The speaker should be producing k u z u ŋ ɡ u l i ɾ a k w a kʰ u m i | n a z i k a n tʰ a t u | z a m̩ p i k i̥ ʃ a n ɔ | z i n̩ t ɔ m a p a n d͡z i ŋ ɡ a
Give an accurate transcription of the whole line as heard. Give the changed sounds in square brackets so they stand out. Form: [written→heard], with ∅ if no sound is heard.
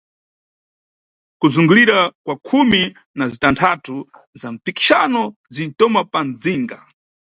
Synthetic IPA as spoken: k u z u ŋ ɡ u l i ɾ a k w a kʰ u m i | n a z i [k→t] a n tʰ a t u | z a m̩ p i k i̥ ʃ a n ɔ | z i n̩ t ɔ m a p a n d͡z i ŋ ɡ a